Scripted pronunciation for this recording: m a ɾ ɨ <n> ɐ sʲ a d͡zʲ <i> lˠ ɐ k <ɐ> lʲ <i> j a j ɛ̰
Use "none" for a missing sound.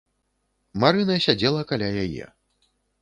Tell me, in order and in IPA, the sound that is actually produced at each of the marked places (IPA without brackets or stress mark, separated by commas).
n, ɛ, a, a